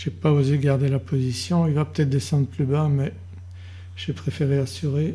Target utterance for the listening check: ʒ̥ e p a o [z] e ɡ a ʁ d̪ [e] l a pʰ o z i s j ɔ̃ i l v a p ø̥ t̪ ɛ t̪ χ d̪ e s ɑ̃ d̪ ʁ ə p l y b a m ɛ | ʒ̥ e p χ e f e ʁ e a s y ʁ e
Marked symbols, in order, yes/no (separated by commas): yes, yes